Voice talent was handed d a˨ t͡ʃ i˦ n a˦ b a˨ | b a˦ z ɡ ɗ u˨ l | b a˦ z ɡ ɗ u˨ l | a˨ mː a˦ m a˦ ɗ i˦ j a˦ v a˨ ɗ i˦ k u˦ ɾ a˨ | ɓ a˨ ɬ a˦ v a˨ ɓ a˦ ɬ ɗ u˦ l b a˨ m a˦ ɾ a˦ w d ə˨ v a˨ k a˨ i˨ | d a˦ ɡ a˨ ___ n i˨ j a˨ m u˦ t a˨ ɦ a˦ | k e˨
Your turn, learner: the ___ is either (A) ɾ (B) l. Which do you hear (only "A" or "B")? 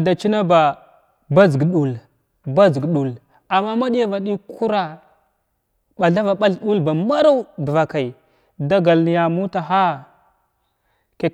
B